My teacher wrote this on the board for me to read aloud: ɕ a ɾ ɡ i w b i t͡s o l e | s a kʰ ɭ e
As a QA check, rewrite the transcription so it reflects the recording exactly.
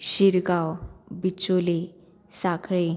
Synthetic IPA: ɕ i ɾ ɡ a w b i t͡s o l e | s a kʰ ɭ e